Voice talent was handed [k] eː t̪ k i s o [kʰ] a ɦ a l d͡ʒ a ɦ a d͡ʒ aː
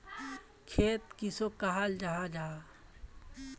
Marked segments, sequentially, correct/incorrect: incorrect: kʰ, incorrect: k

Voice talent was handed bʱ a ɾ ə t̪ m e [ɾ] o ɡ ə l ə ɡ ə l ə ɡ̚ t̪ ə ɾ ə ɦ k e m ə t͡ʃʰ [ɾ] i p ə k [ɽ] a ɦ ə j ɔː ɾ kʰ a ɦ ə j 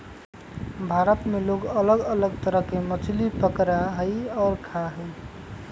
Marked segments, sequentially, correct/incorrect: incorrect: l, incorrect: l, incorrect: ɾ

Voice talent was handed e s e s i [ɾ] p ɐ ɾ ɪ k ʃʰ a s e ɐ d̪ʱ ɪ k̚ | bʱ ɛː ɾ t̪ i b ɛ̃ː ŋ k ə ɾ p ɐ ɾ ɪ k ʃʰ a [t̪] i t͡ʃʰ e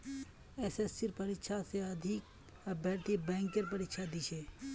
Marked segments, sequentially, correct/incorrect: correct, incorrect: d̪

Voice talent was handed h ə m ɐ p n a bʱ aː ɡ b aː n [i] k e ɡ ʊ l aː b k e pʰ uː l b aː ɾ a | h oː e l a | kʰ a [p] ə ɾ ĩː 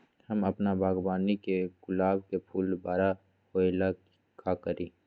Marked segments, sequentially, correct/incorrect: correct, incorrect: k

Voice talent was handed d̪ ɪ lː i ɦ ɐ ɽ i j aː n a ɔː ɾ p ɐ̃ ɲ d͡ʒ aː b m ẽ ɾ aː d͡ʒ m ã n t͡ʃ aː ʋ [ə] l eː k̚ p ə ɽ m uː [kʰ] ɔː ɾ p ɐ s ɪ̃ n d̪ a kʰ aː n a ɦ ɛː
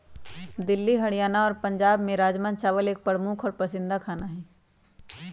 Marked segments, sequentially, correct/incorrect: correct, correct

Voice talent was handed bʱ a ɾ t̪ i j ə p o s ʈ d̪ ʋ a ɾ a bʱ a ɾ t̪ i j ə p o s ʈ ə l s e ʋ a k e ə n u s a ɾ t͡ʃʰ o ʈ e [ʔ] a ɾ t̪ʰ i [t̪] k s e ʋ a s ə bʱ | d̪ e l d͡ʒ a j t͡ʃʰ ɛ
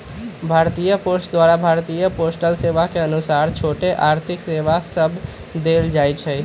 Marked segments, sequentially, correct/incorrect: correct, incorrect: none

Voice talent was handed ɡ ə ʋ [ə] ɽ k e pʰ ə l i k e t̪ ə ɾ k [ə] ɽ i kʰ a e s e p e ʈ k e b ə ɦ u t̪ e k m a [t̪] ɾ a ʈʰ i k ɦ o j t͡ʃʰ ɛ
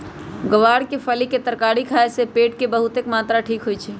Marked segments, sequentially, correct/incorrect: incorrect: a, incorrect: a, correct

